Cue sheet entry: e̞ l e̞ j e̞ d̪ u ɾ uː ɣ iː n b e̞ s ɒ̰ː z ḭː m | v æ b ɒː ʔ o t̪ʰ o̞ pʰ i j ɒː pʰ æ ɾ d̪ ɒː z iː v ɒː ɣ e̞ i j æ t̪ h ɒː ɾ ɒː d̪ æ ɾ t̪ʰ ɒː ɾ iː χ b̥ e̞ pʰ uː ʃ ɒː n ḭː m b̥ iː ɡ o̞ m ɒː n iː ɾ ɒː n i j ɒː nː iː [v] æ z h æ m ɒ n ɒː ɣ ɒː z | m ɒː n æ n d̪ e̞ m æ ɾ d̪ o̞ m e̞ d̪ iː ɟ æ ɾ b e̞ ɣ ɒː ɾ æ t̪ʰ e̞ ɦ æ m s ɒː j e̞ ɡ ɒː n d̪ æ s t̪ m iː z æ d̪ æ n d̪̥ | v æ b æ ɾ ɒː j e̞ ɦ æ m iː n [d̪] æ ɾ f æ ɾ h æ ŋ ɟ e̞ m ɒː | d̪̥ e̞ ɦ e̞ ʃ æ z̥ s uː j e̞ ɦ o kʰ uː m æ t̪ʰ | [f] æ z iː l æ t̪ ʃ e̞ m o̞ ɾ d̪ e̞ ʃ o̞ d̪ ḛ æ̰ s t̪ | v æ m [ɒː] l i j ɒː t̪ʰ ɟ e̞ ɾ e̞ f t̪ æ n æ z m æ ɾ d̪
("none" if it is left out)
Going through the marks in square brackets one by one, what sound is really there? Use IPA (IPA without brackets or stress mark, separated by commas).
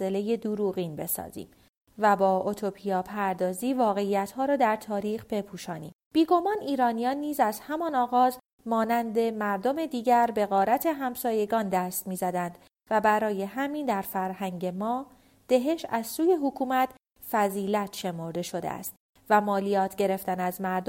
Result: z, d̪, f, ɒː